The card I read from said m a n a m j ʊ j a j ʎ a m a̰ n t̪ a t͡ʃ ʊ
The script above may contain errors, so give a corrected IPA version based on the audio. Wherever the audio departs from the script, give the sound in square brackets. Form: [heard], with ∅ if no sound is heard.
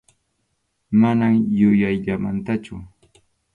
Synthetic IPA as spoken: m a n a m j ʊ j a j ʎ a m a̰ n t̪ a t͡ʃ ʊ

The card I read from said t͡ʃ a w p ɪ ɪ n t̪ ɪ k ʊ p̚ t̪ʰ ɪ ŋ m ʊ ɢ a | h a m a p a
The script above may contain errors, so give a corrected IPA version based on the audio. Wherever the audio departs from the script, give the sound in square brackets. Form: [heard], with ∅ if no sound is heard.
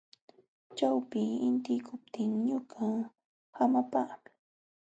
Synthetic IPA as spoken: t͡ʃ a w p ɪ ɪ n t̪ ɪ k ʊ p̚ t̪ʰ ɪ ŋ [ɲ] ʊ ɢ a | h a m a p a

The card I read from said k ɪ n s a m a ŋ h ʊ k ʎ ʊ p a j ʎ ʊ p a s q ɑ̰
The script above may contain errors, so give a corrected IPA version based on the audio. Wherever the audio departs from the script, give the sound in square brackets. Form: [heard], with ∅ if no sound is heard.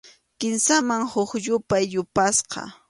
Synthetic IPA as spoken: k ɪ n s a m a ŋ h ʊ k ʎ ʊ p a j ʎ ʊ p a s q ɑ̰

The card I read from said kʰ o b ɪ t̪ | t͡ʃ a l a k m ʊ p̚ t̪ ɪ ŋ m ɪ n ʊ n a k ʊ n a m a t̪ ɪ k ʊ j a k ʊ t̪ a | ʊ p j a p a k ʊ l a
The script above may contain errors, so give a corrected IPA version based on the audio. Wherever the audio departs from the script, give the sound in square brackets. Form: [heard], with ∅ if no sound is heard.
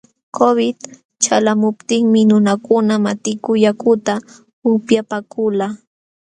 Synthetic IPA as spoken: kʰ o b ɪ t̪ | t͡ʃ a l a [∅] m ʊ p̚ t̪ ɪ ŋ m ɪ n ʊ n a k ʊ n a m a t̪ ɪ k ʊ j a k ʊ t̪ a | ʊ p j a p a k ʊ l a

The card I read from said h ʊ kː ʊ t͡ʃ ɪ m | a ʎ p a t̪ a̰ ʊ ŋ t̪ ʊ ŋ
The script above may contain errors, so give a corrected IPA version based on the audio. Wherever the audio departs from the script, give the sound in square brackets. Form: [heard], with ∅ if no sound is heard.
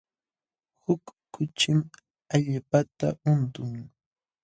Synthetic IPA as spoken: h ʊ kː ʊ t͡ʃ ɪ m | a ʎ p a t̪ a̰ ʊ [n] t̪ ʊ ŋ

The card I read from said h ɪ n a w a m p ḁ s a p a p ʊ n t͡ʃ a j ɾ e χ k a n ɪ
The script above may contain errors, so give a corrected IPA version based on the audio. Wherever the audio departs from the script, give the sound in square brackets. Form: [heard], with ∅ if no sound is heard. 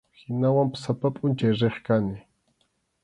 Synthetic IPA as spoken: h ɪ n a w a m p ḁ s a p a [pʼ] ʊ n t͡ʃ a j ɾ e χ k a n ɪ

